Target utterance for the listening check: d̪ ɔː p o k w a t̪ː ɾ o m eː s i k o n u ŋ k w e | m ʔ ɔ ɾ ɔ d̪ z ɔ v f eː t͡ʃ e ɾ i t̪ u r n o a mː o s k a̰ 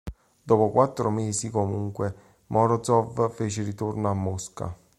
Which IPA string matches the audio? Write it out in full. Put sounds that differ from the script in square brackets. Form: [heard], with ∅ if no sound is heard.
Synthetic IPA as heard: d̪ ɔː p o k w a t̪ː ɾ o m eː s i k o [m] u ŋ k w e | m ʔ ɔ ɾ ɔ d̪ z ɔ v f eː t͡ʃ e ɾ i t̪ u r n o a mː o s k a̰